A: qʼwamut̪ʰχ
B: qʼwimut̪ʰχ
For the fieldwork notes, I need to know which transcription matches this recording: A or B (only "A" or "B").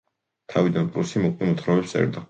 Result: B